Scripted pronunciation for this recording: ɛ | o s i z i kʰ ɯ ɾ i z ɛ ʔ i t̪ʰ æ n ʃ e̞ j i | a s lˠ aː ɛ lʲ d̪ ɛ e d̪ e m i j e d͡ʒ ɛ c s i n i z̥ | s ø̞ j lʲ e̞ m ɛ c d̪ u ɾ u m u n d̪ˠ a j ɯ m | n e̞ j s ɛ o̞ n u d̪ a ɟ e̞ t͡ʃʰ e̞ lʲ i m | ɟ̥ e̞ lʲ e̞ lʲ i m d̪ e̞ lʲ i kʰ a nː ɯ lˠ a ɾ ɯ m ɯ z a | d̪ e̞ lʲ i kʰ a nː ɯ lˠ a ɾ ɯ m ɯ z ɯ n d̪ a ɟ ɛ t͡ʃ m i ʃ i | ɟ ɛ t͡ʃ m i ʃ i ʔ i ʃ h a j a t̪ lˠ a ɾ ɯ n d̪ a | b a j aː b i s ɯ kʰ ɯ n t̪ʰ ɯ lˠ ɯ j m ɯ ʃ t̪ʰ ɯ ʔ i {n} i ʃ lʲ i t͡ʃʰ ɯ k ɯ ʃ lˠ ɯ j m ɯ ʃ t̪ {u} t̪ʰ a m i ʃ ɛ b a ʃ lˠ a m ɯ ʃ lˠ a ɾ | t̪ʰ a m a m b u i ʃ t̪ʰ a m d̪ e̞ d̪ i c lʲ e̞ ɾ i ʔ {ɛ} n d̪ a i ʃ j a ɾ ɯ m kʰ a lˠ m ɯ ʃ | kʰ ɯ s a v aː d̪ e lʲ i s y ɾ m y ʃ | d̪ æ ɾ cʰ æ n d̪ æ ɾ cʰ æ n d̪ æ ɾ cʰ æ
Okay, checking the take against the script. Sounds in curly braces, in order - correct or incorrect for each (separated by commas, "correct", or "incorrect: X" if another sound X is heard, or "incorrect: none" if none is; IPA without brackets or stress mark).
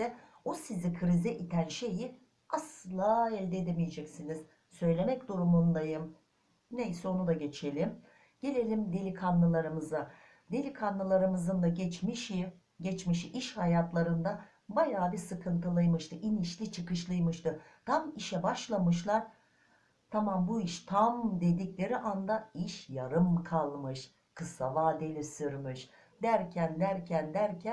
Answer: correct, incorrect: ɯ, incorrect: a